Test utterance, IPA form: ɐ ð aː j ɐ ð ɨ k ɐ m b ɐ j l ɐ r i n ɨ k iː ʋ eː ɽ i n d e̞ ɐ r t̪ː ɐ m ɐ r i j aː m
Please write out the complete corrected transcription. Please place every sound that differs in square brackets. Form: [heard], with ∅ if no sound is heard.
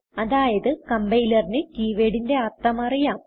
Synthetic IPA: ɐ ð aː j ɐ ð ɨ k ɐ m b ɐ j l ɐ r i n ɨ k iː ʋ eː ɽ i n d e̞ ɐ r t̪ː ɐ m ɐ r i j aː m